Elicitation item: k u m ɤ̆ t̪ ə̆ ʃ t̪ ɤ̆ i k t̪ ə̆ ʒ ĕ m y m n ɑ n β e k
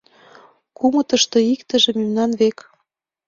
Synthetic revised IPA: k u m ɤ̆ t̪ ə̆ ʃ t̪ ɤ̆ i k t̪ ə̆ ʒ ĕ m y m n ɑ n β e k